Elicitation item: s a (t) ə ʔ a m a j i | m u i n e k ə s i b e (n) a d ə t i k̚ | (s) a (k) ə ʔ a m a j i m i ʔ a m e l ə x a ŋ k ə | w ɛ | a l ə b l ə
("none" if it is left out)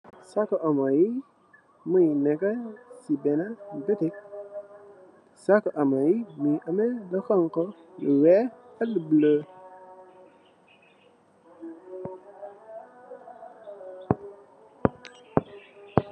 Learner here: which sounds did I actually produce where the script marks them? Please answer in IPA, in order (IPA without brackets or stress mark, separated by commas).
k, n, s, k